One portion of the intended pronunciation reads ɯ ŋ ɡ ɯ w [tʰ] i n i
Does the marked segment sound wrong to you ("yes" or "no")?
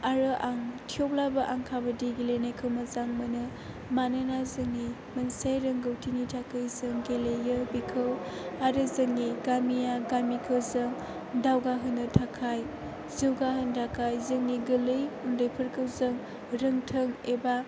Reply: no